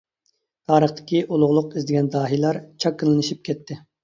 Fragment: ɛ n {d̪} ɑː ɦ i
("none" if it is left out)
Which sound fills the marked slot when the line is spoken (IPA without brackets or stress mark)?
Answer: d̪